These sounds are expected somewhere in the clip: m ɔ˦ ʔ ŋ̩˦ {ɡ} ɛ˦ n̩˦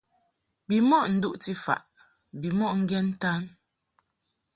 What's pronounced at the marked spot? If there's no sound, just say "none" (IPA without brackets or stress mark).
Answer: ɡ